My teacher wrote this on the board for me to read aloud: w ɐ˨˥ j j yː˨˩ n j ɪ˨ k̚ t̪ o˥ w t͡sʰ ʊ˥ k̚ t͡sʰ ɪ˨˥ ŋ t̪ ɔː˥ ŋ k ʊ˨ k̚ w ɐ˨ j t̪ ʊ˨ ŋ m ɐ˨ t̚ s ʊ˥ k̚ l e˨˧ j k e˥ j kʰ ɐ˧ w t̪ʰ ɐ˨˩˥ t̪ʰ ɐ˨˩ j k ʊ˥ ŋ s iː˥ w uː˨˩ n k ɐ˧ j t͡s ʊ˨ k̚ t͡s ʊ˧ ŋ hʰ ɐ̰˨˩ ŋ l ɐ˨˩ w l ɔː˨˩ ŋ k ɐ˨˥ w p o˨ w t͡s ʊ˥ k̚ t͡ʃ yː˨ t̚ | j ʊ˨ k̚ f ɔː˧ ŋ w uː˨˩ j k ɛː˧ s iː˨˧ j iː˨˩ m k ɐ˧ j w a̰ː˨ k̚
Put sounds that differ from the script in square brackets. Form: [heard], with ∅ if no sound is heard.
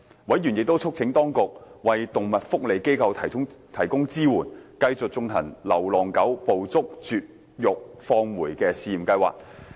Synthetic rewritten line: w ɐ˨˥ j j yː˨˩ n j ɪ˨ k̚ t̪ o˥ w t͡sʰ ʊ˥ k̚ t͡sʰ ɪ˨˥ ŋ t̪ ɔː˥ ŋ k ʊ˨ k̚ w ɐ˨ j t̪ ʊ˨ ŋ m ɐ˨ t̚ [f] ʊ˥ k̚ l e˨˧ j k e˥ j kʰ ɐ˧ w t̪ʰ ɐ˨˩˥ t̪ʰ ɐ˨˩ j k ʊ˥ ŋ [t͡s] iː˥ w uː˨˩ n k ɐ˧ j t͡s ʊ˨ k̚ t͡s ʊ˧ ŋ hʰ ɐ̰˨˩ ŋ l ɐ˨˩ w l ɔː˨˩ ŋ k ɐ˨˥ w p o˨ w t͡s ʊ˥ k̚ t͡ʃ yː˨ t̚ | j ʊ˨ k̚ f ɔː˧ ŋ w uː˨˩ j k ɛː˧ s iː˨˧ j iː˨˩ m k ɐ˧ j w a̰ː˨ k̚